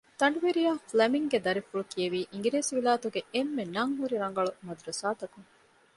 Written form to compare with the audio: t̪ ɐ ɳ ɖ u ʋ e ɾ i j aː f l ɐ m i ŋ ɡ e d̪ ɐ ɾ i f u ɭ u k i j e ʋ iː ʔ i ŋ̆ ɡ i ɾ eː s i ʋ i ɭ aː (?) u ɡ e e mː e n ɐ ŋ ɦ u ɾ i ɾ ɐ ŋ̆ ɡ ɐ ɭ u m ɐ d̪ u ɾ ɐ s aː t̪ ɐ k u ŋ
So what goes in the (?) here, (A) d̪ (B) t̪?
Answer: B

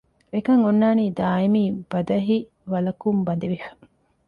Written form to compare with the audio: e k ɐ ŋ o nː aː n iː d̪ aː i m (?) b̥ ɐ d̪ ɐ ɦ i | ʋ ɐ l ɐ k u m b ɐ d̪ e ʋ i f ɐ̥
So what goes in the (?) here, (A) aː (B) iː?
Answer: B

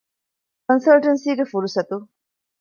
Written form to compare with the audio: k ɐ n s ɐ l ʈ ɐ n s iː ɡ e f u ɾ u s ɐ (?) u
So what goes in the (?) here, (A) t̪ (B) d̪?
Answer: A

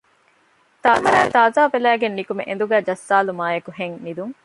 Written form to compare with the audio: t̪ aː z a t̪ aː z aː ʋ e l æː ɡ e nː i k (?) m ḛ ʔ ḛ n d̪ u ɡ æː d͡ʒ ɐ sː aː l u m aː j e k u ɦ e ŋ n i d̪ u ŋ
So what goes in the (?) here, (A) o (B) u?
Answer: B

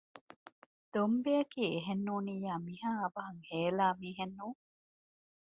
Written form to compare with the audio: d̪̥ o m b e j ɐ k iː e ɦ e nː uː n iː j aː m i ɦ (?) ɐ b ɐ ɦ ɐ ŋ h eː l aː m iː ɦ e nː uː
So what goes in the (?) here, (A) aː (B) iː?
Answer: A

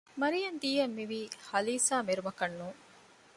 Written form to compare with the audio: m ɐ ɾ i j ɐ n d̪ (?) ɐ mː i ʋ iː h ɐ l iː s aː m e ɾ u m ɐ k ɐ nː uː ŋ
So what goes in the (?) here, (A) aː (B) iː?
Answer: B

